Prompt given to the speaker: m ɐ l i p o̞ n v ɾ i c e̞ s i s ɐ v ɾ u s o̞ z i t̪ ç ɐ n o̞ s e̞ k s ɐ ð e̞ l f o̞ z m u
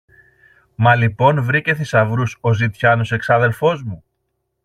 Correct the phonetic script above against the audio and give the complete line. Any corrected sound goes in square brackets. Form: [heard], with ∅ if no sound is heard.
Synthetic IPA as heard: m ɐ l i p o̞ n v ɾ i c e̞ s i s ɐ v ɾ u s o̞ z i t̪ ç ɐ n o̞ s e̞ k s ɐ ð e̞ l f o̞ z m u